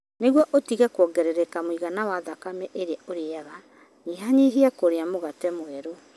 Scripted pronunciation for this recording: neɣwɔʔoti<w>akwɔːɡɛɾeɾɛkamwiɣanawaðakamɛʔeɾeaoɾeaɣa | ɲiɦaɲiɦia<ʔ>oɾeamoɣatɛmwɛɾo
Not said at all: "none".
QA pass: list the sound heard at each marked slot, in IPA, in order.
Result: ɣ, k

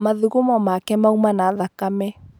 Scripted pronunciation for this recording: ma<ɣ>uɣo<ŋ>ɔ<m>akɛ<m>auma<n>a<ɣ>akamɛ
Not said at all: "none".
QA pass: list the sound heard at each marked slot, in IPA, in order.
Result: ð, m, m, m, n, ð

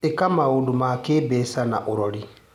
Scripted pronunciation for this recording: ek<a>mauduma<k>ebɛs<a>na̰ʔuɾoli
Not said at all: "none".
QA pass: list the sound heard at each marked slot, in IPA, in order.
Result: a, k, a

